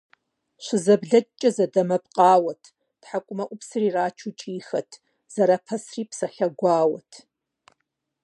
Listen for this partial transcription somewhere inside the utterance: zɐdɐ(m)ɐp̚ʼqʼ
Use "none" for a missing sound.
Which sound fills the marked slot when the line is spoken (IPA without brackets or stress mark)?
m